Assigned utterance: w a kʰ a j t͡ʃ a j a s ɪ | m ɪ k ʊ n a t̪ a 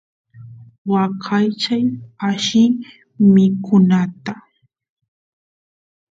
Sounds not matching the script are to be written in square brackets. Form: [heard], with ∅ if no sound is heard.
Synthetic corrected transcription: w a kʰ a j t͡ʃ a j a [ʃ] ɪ | m ɪ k ʊ n a t̪ a